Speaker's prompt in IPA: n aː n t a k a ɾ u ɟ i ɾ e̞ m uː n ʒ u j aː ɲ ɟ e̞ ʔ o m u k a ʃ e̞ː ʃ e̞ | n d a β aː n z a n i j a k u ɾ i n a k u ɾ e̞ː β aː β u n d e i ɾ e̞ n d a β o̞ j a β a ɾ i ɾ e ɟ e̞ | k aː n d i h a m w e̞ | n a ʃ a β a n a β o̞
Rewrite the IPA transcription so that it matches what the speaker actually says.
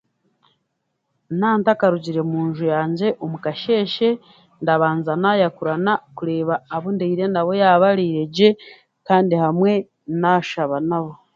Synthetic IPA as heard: n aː n t a k a ɾ u ɟ i ɾ e̞ m uː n ʒ u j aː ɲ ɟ e̞ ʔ o m u k a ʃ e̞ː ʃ e̞ | n d a β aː n z a n a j a k u ɾ a n a k u ɾ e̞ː β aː β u n d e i ɾ e̞ n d a β o̞ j a β a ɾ i ɾ e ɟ e̞ | k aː n d i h a m w e̞ | n a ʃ a β a n a β o̞